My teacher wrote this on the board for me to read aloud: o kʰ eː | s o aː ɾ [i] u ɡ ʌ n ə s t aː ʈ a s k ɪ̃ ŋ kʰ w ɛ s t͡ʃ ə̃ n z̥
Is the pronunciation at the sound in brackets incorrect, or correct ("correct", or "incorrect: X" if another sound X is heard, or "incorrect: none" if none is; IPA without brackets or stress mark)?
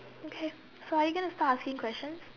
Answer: incorrect: j